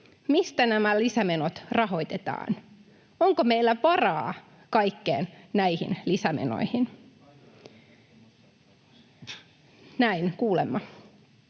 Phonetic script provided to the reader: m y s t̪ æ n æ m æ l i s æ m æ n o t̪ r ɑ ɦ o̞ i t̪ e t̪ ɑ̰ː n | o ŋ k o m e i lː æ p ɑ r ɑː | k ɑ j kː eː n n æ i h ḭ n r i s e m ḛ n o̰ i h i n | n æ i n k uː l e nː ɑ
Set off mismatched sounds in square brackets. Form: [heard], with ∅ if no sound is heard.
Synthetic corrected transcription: m [i] s t̪ æ n æ m æ l i s æ m [e] n o t̪ r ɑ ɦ o̞ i t̪ e t̪ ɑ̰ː n | o ŋ k o m e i lː æ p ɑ r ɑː | k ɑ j kː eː n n æ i h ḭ n [l] i s [æ] m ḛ n o̰ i h i n | n æ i n k uː l e [mː] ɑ